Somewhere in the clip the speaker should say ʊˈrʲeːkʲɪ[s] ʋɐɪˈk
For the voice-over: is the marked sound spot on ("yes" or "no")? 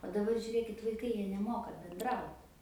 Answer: no